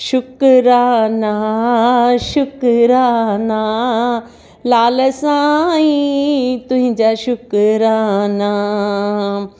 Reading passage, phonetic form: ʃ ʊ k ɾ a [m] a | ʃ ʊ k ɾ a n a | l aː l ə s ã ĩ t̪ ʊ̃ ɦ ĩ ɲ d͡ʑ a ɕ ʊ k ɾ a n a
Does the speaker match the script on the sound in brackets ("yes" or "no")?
no